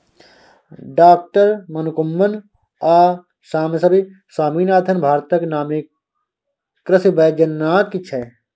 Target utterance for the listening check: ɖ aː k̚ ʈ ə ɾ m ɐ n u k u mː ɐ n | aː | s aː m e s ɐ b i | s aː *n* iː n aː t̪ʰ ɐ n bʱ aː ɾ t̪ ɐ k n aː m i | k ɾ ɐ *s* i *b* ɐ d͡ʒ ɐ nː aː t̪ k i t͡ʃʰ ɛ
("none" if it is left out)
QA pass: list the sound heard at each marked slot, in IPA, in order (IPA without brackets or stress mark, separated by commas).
m, s, b